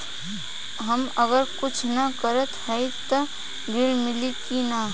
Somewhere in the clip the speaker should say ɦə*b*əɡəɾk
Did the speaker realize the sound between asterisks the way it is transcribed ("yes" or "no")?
no